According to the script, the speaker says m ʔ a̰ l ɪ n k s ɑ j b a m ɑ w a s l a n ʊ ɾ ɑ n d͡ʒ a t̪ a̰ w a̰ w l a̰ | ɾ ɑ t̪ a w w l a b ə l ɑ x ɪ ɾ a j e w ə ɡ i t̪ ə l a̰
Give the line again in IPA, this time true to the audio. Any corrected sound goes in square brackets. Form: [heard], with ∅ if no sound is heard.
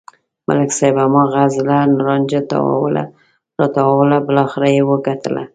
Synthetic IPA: m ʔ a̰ l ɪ [∅] k s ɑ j b a m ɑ [ɣ] a [z] l a n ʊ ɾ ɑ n d͡ʒ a t̪ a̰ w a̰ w l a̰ | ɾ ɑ t̪ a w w l a b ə l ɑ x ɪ ɾ a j e w ə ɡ [a] t̪ ə l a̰